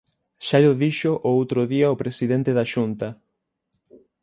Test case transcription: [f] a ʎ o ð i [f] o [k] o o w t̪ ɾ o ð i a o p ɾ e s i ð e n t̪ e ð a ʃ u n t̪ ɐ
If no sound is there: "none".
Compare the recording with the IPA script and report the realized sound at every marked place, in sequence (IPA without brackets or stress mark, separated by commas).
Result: ʃ, ʃ, ʔ